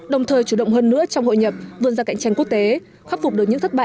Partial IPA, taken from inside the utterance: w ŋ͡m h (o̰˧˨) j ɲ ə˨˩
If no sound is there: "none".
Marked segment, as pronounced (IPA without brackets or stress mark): o̰˧˨